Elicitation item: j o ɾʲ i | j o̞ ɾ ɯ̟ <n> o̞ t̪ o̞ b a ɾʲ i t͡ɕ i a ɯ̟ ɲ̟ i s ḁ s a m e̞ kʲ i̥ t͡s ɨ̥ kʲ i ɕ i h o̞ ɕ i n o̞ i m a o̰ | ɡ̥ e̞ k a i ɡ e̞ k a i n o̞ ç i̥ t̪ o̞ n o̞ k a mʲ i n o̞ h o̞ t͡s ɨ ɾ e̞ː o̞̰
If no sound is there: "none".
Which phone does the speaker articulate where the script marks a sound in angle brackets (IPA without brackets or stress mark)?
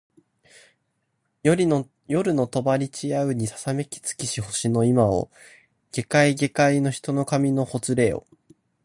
n